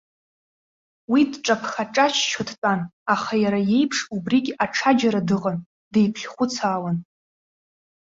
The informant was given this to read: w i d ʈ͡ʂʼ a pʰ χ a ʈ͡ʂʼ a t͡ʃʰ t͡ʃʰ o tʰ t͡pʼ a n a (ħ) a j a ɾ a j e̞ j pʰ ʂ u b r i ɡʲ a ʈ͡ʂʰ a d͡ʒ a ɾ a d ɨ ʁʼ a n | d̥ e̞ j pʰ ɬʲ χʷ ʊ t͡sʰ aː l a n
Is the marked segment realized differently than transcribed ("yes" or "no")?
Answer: yes